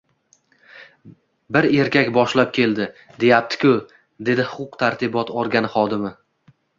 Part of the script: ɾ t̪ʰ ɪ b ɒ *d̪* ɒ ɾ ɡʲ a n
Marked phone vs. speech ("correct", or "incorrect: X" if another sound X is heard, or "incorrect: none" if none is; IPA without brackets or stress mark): incorrect: t̪